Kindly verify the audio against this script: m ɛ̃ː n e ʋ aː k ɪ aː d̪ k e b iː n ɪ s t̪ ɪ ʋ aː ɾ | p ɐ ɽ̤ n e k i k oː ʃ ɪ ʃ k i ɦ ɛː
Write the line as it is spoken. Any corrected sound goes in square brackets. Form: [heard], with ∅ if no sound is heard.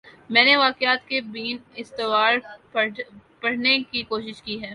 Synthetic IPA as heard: m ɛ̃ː n e ʋ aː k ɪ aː [t̪] k e b iː n ɪ s t̪ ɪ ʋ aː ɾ | p ɐ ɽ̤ n e k i k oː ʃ ɪ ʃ k i ɦ ɛː